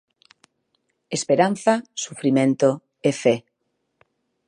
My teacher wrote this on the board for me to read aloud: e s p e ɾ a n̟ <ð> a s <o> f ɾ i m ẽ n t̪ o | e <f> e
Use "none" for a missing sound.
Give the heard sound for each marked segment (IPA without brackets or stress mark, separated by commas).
θ, u, f